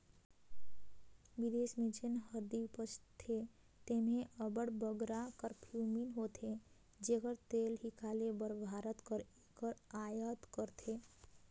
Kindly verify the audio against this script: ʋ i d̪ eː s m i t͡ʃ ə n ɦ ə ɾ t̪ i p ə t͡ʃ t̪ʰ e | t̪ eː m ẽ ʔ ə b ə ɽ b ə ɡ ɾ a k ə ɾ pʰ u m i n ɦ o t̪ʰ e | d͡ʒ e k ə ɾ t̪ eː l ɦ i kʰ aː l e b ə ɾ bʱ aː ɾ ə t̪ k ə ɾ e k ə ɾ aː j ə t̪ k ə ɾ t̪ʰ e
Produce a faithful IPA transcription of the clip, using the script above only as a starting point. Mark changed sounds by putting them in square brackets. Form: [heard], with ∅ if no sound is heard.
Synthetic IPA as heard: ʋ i d̪ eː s m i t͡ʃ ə n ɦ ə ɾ [d̪] i p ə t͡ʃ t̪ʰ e | t̪ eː m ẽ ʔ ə b ə ɽ b ə ɡ ɾ a k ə ɾ pʰ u m i n ɦ o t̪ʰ e | d͡ʒ e k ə ɾ t̪ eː l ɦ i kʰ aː l e b ə ɾ bʱ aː ɾ ə t̪ k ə ɾ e k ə ɾ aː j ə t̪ k ə ɾ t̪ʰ e